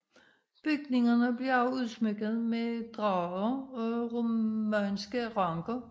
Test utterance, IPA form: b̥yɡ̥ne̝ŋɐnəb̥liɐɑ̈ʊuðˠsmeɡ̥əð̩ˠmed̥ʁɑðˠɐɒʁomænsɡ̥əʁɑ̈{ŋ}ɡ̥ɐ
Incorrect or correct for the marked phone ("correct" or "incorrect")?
correct